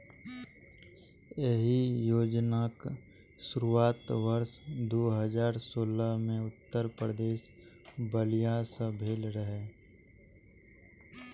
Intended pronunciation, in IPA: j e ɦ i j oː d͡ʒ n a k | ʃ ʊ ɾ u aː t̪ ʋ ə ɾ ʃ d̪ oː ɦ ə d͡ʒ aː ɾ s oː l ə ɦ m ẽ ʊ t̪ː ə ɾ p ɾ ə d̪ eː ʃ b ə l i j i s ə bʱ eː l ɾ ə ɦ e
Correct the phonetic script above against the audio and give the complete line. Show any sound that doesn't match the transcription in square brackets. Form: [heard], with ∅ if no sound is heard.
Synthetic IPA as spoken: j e ɦ i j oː d͡ʒ n a k | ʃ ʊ ɾ u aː t̪ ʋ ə ɾ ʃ d̪ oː ɦ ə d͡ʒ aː ɾ s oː l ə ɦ m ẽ ʊ t̪ː ə ɾ p ɾ ə d̪ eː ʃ b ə l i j [a] s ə bʱ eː l ɾ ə ɦ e

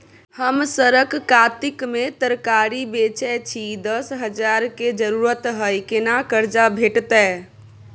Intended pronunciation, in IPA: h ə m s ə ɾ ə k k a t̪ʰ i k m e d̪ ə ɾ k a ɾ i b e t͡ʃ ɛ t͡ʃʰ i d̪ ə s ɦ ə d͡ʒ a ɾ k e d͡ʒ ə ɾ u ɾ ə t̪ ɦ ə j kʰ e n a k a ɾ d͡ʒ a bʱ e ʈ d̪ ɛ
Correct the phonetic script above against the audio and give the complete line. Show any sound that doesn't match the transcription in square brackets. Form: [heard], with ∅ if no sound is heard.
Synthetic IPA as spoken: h ə m s ə ɾ ə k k a [t̪] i k m e [t̪] ə ɾ k a ɾ i b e t͡ʃ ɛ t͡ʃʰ i d̪ ə s ɦ ə d͡ʒ a ɾ k e d͡ʒ ə ɾ u ɾ ə t̪ ɦ ə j [k] e n a k [ə] ɾ d͡ʒ a bʱ e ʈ [t̪] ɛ

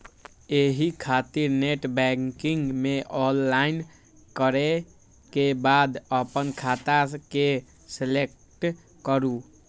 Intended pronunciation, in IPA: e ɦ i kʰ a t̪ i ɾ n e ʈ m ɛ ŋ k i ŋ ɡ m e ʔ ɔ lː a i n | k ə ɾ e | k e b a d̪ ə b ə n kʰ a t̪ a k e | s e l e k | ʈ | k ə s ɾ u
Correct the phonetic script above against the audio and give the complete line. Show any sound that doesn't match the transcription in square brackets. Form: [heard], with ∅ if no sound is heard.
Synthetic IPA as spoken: e ɦ i kʰ a t̪ i ɾ n e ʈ [b] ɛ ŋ k i ŋ ɡ m e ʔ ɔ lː a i n | k ə ɾ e | k e b a d̪ ə [p] ə n kʰ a t̪ a k e | s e l e k | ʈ | k ə [∅] ɾ u

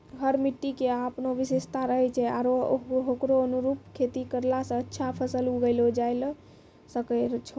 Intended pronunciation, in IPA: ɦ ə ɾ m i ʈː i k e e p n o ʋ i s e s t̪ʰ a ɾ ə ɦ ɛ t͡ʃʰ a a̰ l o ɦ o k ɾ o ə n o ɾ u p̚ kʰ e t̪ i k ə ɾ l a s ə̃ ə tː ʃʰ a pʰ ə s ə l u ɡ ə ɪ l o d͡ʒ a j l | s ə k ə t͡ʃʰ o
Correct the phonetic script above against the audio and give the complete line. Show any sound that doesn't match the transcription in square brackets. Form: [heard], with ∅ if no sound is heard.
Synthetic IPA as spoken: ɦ ə ɾ m i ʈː i k e [a] p n o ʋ i s e s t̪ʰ a ɾ ə ɦ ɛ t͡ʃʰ [ɛ] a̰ [ɾ] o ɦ o k ɾ o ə n [u] ɾ u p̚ kʰ e t̪ i k ə ɾ l a s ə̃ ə tː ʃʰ a pʰ ə s ə l u ɡ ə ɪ l o d͡ʒ a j l | s ə k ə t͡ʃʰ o

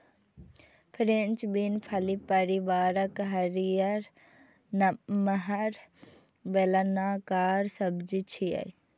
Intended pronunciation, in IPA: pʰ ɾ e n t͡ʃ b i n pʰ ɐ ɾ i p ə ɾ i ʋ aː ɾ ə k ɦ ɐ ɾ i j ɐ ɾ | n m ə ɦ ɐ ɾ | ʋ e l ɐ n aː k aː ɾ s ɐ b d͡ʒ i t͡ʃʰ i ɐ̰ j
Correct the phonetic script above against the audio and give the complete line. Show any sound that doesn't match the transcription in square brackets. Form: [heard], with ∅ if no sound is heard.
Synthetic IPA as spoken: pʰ ɾ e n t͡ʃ b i n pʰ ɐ [l] i p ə ɾ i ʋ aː ɾ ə k ɦ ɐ ɾ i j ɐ ɾ | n m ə ɦ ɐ ɾ | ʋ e l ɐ n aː k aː ɾ s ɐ b d͡ʒ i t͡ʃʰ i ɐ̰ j

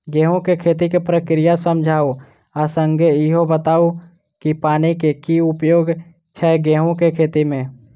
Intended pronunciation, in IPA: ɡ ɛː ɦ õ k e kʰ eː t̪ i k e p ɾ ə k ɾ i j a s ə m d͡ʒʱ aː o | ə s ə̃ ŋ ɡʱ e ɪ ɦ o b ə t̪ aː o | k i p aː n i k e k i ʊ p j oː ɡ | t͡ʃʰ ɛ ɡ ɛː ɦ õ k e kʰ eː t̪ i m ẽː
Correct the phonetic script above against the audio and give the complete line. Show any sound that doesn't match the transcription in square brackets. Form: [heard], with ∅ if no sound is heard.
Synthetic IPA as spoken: ɡ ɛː ɦ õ k e kʰ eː t̪ i k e p ɾ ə k ɾ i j a s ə m d͡ʒʱ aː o | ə s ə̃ ŋ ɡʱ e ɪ ɦ o b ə t̪ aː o | k i p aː n i k e k i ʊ p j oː ɡ | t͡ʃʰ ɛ ɡ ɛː ɦ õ k e kʰ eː t̪ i m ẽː

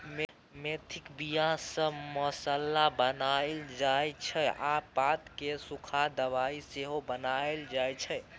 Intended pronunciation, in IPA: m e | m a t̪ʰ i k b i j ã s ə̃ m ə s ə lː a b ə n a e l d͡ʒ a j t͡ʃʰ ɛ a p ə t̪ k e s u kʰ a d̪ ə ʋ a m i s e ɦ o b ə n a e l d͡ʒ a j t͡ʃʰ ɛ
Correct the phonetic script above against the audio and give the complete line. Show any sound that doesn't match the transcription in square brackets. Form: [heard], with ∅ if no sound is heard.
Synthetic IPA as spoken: m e | m [e] t̪ʰ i k b i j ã s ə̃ m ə s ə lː a b ə n a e l d͡ʒ a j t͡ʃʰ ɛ a p [a] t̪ k e s u kʰ a d̪ ə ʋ a [∅] i s e ɦ o b ə n a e l d͡ʒ a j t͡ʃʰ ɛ

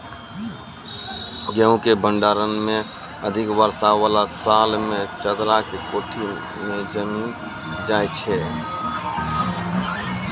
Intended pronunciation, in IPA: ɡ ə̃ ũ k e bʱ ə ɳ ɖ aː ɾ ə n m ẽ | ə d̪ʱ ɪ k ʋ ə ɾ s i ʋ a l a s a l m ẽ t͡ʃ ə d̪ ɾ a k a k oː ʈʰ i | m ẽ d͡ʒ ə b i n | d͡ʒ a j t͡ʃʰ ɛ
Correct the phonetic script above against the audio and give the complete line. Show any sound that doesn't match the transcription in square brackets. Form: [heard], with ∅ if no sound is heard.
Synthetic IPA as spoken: ɡ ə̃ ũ k e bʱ ə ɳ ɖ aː ɾ ə n m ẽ | ə d̪ʱ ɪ k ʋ ə ɾ s [a] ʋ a l a s a l m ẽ t͡ʃ ə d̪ ɾ a k [e] k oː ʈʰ i | m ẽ d͡ʒ ə [m] i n | d͡ʒ a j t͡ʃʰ ɛ

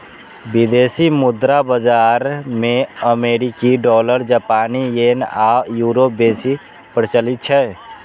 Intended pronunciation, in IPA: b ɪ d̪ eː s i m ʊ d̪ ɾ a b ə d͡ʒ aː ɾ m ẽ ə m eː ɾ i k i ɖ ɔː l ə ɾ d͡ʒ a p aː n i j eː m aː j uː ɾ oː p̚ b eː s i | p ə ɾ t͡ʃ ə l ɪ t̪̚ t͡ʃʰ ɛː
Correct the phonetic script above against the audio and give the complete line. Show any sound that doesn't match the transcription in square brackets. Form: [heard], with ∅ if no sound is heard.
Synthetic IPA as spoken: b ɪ d̪ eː s i m ʊ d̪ ɾ a b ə d͡ʒ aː ɾ m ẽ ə m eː ɾ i k i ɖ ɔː l ə ɾ d͡ʒ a p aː n i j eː [n] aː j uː ɾ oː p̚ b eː s i | p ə ɾ t͡ʃ ə l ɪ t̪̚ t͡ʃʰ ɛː

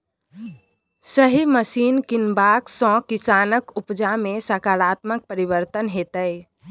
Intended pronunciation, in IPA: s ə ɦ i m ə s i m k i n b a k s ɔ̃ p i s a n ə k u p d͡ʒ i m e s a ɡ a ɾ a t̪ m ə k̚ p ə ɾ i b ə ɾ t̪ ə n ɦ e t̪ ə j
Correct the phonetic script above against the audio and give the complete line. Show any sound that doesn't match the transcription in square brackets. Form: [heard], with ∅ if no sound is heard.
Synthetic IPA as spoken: s ə ɦ i m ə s i [n] k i n b a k s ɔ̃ [k] i s a n ə k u p d͡ʒ [a] m e s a [k] a ɾ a t̪ m ə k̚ p ə ɾ i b ə ɾ t̪ ə n ɦ e t̪ ə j

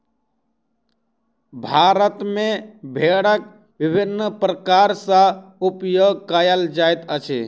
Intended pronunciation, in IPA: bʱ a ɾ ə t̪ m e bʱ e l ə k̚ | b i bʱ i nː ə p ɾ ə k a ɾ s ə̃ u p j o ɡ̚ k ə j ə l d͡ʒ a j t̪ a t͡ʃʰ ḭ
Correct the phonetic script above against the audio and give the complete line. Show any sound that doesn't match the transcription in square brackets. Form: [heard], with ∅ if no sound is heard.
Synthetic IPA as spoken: bʱ a ɾ ə t̪ m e bʱ e [ɽ] ə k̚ | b i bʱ i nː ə p ɾ ə k a ɾ s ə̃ u p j o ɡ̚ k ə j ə l d͡ʒ a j t̪ [ə] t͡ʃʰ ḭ

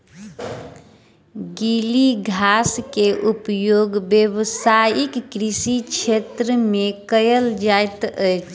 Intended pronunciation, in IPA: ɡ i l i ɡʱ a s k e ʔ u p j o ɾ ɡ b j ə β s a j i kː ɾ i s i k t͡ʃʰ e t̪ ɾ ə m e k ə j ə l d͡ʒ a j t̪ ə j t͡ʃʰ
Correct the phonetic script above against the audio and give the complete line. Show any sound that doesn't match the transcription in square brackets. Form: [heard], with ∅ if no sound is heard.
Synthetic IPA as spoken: ɡ i l i ɡʱ a s k e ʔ u p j o [∅] ɡ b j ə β s a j i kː ɾ i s i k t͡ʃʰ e t̪ ɾ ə m e k ə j ə l d͡ʒ a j t̪ ə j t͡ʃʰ

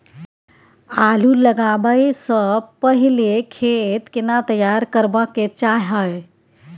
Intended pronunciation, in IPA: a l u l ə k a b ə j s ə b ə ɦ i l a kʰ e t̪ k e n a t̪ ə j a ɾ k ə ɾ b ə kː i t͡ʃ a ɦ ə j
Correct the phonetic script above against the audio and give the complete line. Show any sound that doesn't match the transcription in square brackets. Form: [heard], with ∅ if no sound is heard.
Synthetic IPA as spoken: a l u l ə [ɡ] a b ə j s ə [p] ə ɦ i l [e] kʰ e t̪ k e n a t̪ ə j a ɾ k ə ɾ b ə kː [e] t͡ʃ a ɦ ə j

